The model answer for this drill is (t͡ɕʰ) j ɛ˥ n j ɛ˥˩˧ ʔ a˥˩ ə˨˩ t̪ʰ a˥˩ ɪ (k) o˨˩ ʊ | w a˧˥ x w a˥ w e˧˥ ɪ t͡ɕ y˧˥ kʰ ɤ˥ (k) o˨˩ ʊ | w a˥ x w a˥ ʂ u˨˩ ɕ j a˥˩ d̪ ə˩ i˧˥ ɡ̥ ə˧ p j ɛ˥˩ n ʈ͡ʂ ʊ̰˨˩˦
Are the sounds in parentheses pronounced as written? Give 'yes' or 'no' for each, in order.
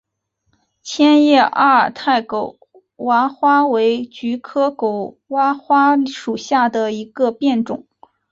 yes, yes, yes

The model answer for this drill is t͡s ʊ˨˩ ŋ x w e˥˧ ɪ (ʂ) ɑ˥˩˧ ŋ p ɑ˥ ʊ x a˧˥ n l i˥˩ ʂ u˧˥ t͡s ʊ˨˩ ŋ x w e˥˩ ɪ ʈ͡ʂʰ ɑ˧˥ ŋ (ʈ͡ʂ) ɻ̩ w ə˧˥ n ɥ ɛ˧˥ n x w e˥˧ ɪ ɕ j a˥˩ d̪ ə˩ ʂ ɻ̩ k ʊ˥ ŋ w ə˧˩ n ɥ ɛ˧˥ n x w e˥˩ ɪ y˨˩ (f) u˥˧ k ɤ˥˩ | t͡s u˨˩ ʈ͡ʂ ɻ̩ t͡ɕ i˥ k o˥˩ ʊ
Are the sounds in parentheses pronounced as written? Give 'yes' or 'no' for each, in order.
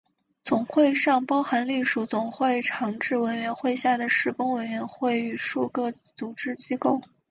yes, yes, no

